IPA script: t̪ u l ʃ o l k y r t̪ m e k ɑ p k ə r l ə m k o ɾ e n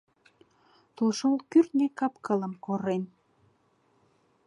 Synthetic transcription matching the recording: t̪ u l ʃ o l k y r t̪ n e k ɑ p k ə l ə m k o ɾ e n